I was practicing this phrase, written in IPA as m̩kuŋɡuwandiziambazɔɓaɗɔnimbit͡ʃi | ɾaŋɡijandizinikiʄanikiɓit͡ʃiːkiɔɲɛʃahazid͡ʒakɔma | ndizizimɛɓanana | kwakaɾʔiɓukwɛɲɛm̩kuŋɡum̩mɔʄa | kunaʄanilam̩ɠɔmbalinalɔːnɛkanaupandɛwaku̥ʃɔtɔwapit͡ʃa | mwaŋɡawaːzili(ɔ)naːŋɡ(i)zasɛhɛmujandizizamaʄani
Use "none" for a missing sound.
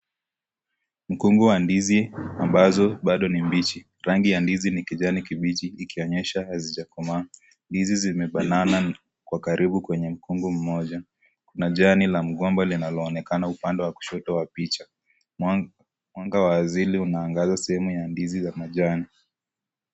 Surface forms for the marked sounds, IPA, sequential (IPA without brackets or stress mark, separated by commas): u, a